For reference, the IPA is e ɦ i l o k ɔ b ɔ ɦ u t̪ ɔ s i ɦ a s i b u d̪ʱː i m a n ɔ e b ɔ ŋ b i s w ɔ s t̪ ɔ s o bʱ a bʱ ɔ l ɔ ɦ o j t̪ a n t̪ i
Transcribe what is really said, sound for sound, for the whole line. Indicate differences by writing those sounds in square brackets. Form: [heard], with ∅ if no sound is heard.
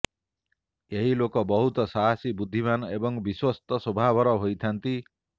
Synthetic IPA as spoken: e ɦ i l o k ɔ b ɔ ɦ u t̪ ɔ s [a] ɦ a s i b u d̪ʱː i m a n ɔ e b ɔ ŋ b i s w ɔ s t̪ ɔ s o bʱ a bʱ ɔ [ɾ] ɔ ɦ o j [t̪ʰ] a n t̪ i

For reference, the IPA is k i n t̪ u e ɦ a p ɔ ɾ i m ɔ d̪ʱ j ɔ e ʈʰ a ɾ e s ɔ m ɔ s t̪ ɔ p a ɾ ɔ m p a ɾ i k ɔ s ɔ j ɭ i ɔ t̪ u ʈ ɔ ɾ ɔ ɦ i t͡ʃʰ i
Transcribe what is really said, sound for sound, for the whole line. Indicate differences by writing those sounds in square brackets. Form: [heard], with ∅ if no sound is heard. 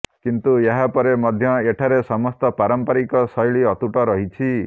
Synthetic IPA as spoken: k i n t̪ u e ɦ a p ɔ ɾ [e] m ɔ d̪ʱ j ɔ e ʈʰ a ɾ e s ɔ m ɔ s t̪ ɔ p a ɾ ɔ m p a ɾ i k ɔ s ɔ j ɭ i ɔ t̪ u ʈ ɔ ɾ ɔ ɦ i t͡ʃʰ i

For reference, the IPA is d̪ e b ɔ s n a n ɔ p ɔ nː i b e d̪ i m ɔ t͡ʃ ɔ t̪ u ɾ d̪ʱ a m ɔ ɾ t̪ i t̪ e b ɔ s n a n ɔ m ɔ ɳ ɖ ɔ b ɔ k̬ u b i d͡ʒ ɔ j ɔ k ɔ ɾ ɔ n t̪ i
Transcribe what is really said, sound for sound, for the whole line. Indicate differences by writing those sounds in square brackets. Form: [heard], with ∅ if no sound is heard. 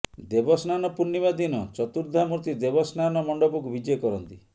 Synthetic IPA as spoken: d̪ e b ɔ s n a n ɔ p [u] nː i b [a] d̪ i [n] ɔ t͡ʃ ɔ t̪ u ɾ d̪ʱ a m [u] ɾ t̪ i [d̪] e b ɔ s n a n ɔ m ɔ ɳ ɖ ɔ b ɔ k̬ u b i d͡ʒ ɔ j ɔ k ɔ ɾ ɔ n t̪ i

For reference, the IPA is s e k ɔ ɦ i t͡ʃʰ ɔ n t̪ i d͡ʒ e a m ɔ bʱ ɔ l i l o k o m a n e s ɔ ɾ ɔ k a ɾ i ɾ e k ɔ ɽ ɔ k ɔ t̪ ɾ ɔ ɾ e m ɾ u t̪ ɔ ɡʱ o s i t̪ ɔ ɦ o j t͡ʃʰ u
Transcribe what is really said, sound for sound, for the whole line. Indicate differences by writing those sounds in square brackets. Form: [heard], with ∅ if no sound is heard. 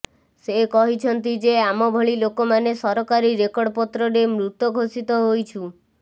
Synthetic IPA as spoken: s e k ɔ ɦ i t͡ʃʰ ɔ n t̪ i d͡ʒ e a m ɔ bʱ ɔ [ɭ] i l o k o m a n e s ɔ ɾ ɔ k a ɾ i ɾ e k ɔ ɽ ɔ [p] ɔ t̪ ɾ ɔ ɾ e m ɾ u t̪ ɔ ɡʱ o s i t̪ ɔ ɦ o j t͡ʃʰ u

